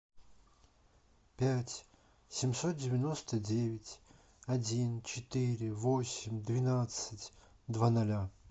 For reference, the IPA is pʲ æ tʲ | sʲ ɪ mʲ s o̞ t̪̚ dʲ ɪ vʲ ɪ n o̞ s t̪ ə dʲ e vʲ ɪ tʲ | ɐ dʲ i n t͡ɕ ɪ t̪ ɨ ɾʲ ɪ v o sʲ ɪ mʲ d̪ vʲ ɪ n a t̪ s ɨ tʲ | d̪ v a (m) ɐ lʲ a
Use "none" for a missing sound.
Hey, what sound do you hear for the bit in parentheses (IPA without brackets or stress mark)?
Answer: n